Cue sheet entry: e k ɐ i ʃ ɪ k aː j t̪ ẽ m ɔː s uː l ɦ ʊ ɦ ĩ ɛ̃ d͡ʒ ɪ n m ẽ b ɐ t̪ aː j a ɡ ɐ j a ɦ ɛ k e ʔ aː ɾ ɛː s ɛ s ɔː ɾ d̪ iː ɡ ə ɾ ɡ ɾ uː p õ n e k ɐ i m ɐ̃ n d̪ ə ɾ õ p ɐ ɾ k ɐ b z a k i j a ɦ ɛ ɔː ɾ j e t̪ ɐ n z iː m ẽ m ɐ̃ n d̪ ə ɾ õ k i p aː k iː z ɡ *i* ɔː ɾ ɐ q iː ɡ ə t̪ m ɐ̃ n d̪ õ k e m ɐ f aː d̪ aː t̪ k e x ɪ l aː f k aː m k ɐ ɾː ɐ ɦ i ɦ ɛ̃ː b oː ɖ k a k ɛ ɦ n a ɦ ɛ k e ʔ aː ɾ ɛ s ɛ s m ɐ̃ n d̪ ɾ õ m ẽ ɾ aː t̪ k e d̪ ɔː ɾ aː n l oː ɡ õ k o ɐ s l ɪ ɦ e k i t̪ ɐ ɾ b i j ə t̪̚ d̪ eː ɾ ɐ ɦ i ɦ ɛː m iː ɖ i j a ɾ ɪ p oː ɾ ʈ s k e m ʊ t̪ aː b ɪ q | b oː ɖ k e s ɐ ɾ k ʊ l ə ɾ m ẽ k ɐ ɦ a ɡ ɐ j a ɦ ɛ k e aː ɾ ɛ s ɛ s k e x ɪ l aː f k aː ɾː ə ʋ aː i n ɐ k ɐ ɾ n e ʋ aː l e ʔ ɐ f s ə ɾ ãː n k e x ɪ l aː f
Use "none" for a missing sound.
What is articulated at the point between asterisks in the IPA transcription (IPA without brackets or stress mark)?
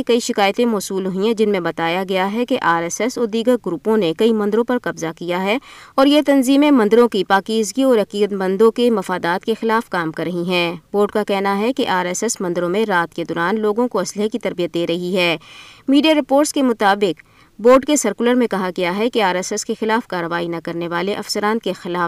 i